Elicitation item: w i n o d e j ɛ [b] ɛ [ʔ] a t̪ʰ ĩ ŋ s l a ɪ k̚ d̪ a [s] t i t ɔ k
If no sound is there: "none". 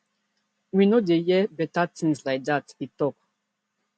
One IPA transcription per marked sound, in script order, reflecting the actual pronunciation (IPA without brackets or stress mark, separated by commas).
b, t, none